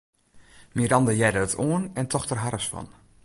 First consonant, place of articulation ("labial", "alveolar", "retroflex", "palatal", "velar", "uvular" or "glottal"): labial